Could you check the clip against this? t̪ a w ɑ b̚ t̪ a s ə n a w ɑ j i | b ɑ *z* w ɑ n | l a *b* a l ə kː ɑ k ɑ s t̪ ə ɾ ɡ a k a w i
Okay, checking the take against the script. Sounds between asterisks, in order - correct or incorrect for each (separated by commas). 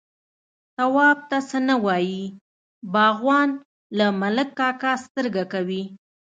incorrect, incorrect